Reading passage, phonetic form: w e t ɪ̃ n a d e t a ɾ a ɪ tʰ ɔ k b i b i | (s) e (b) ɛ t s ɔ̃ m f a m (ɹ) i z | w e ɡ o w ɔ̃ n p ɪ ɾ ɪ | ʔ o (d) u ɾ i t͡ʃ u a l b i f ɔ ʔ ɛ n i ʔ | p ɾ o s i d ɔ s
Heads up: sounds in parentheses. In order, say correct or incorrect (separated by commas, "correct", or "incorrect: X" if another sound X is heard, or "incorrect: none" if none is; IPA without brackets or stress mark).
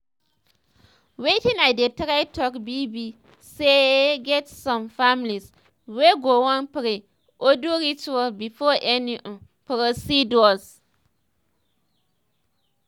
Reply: correct, incorrect: ɡ, incorrect: l, correct